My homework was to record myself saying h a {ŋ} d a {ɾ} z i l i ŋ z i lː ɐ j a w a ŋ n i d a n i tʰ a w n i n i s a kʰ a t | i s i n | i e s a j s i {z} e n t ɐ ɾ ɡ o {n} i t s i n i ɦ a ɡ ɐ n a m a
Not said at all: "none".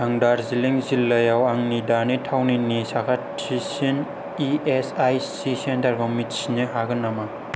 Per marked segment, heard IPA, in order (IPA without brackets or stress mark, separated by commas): ŋ, ɾ, s, m